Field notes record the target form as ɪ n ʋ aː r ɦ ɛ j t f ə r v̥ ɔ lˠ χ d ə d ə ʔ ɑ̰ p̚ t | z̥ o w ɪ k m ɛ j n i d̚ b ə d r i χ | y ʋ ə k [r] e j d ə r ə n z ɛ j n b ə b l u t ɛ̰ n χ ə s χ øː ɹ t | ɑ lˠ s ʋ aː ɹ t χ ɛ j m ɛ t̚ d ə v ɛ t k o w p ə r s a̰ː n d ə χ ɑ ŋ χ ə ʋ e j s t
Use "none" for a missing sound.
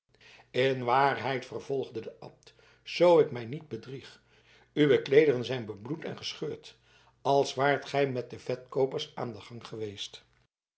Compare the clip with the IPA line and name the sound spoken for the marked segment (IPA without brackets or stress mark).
l